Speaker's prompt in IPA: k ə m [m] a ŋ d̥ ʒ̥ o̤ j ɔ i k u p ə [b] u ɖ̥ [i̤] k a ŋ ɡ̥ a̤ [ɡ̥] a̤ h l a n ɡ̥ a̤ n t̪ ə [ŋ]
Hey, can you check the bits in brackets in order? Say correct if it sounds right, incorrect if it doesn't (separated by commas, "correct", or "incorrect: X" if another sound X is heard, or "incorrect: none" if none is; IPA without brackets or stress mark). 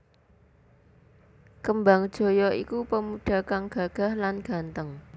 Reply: incorrect: b, incorrect: m, incorrect: a̤, correct, correct